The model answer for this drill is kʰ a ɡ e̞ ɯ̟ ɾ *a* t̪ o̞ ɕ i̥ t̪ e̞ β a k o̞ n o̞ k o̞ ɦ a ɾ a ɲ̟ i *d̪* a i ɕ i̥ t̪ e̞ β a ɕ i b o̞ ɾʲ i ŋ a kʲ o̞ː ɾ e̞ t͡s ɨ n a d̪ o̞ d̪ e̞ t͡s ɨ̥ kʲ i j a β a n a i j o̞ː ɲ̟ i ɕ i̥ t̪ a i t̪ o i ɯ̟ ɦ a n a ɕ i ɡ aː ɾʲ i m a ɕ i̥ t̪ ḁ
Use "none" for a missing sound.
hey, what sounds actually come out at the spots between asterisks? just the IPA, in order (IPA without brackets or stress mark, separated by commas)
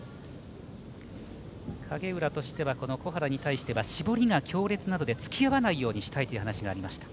a, t̪